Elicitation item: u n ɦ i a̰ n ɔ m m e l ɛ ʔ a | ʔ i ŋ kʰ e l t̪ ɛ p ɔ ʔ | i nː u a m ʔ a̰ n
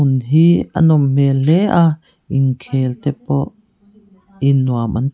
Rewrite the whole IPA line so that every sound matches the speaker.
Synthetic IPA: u n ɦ i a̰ n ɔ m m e l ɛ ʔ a | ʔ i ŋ kʰ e l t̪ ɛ p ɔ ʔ | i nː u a m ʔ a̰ n